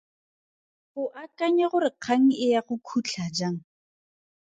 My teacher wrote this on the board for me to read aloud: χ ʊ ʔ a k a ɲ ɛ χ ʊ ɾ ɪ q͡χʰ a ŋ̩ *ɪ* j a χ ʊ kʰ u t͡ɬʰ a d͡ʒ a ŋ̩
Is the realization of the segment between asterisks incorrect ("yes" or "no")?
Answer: no